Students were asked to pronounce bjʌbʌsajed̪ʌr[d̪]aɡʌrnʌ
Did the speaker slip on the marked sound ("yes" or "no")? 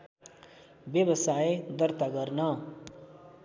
yes